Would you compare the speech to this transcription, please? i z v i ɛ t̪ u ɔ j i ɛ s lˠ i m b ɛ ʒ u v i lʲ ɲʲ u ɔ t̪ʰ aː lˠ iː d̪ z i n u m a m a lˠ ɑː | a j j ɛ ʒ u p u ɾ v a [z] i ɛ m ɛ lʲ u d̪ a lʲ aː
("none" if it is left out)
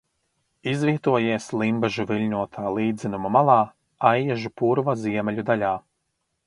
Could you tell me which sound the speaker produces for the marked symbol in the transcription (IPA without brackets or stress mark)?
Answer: z